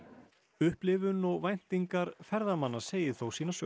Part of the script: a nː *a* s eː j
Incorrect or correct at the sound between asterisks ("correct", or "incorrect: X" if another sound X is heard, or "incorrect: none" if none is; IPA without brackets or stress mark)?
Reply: correct